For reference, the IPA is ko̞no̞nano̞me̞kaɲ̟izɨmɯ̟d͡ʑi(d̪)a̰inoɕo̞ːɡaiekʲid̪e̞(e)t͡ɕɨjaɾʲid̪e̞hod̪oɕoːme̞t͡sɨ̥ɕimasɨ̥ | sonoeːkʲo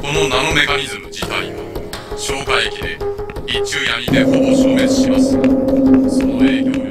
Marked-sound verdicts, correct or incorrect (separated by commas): incorrect, incorrect